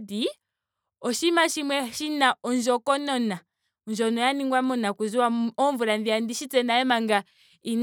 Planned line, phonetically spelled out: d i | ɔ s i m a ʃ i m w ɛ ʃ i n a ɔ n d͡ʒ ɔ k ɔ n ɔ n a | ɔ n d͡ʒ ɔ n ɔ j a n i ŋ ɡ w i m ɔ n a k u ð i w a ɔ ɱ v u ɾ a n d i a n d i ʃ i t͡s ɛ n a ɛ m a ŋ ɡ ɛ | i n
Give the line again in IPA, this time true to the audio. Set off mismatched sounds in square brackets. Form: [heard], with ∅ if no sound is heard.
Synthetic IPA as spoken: d i | ɔ [ʃ] i m a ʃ i m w ɛ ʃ i n a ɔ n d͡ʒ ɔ k ɔ n ɔ n a | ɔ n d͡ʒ ɔ n ɔ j a n i ŋ ɡ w [a] m ɔ n a k u [z] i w a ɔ ɱ v u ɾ a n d i a n d i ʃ i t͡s ɛ n a ɛ m a ŋ ɡ [a] | i n